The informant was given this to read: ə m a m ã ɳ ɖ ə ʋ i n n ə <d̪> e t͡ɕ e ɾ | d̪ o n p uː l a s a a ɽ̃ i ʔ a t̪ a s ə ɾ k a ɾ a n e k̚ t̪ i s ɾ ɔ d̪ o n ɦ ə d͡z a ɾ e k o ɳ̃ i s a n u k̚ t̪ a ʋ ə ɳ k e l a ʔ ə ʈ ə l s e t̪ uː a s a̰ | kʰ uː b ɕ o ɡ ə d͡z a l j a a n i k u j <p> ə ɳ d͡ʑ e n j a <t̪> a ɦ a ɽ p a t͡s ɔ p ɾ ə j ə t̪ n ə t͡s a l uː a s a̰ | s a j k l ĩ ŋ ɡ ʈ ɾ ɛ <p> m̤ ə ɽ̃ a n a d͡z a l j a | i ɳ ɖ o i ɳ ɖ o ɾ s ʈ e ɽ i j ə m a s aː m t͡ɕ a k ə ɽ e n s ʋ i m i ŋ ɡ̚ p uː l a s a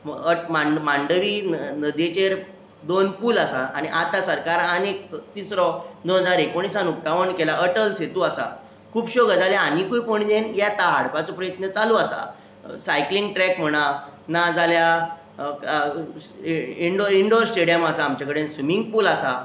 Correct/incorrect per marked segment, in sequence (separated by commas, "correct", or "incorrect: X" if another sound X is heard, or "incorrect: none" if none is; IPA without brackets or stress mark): correct, correct, correct, incorrect: k